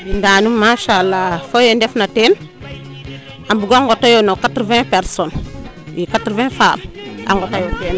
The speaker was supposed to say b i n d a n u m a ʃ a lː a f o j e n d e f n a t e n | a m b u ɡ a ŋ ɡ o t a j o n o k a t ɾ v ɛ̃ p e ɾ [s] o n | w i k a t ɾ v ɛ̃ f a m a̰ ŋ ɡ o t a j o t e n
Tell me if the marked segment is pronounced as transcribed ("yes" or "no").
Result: yes